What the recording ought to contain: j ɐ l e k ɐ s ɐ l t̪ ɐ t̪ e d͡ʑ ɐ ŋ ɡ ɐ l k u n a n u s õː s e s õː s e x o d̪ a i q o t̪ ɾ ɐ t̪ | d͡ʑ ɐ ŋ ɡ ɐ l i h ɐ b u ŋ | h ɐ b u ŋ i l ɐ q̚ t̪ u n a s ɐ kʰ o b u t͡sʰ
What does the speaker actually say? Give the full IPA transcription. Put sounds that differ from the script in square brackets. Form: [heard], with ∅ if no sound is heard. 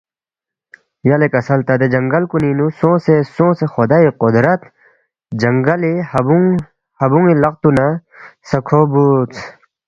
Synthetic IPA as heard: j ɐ l e k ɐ s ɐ l t̪ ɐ [d̪] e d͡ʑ ɐ ŋ ɡ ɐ l k u n [i] n u s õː s e s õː s e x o d̪ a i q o [d̪] ɾ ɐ t̪ | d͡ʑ ɐ ŋ ɡ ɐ l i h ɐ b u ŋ | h ɐ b u ŋ i l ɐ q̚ t̪ u n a s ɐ kʰ o b u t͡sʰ

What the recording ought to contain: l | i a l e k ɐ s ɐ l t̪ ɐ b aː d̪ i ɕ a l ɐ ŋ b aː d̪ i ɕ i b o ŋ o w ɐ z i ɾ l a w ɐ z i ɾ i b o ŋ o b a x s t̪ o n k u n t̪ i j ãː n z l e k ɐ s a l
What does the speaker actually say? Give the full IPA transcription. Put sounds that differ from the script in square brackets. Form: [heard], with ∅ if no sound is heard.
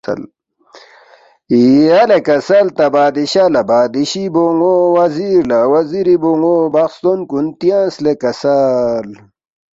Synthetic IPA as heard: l | i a l e k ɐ s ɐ l t̪ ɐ b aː d̪ i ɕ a l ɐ [∅] b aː d̪ i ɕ i b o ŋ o w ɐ z i ɾ l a w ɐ z i ɾ i b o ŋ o b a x s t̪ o n k u n t̪ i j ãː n [s] l e k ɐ s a l

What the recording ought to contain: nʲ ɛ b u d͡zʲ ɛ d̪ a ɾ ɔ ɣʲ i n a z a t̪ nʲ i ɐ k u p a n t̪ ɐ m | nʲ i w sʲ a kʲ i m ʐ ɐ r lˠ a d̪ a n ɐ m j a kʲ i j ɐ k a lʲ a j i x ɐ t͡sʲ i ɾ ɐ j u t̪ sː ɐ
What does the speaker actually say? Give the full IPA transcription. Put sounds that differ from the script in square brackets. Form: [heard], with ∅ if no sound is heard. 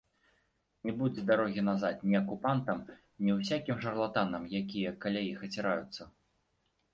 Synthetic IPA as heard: nʲ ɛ b u d͡zʲ ɛ d̪ a ɾ ɔ ɣʲ i n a z a t̪ nʲ i ɐ k u p a n t̪ ɐ m | nʲ i w sʲ a kʲ i m ʐ ɐ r lˠ a [t̪] a n ɐ m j a kʲ i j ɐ k a lʲ a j i x ɐ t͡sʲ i ɾ [a] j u t̪ sː ɐ

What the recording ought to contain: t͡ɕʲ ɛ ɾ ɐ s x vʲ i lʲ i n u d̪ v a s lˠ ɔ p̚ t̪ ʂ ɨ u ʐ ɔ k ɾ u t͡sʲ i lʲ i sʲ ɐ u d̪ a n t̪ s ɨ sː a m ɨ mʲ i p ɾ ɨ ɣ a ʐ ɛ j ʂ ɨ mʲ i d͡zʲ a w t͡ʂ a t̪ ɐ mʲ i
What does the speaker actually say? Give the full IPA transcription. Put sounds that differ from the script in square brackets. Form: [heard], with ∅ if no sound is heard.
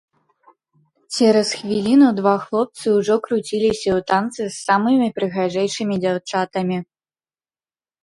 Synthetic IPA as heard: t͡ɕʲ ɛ ɾ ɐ s x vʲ i lʲ i n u d̪ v a [x] lˠ ɔ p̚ t̪ [s] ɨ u ʐ ɔ k ɾ u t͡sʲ i lʲ i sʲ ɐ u [t̪] a n t̪ s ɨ sː a m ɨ mʲ i p ɾ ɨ ɣ a ʐ ɛ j ʂ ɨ mʲ i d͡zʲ a w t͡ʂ a t̪ ɐ mʲ i

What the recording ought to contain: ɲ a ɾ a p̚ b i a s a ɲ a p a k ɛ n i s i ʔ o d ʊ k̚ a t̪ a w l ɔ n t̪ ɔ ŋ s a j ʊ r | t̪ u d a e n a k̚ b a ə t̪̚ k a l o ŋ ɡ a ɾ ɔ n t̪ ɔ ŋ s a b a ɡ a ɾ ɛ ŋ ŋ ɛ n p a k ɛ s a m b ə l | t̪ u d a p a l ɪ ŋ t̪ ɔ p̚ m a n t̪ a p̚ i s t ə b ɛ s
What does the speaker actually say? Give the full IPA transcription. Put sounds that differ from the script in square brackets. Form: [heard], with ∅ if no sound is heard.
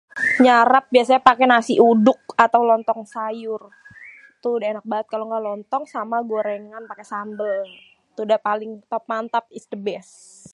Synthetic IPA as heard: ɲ a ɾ a p̚ b i a s a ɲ a p a k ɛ n [a] s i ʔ [u] d ʊ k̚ a t̪ a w l ɔ n t̪ ɔ ŋ s a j ʊ r | t̪ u d a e n a k̚ b a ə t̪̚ k a l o ŋ ɡ a [l] ɔ n t̪ ɔ ŋ s a [m] a ɡ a ɾ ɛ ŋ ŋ [a] n p a k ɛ s a m b ə l | t̪ u d a p a l ɪ ŋ t̪ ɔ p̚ m a n t̪ a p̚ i s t ə b ɛ s

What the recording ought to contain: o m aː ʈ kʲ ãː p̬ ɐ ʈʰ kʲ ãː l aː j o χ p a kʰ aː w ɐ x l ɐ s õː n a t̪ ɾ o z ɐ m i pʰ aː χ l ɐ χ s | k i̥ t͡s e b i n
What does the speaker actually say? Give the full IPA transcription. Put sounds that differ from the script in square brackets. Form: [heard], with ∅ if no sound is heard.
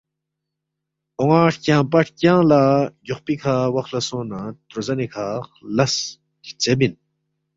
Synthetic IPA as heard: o [ŋ] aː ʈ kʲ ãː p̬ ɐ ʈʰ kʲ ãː l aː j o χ p [i] kʰ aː w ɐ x l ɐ s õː n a t̪ ɾ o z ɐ [n] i [kʰ] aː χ l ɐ [∅] s | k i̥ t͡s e b i n

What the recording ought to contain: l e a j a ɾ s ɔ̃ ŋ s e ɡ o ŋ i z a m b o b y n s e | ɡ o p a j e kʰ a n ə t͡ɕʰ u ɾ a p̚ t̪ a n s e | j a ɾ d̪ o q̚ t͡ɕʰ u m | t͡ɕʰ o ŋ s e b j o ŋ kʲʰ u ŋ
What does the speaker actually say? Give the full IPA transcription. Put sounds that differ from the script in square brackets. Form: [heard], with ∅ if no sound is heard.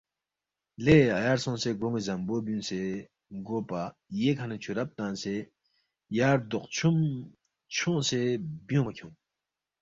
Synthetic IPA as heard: l e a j a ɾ s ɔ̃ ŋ s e ɡ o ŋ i z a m b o b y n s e | ɡ o p a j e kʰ a n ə t͡ɕʰ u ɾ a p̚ t̪ a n s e | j a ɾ d̪ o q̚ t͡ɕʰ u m | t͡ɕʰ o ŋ s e b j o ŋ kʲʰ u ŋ

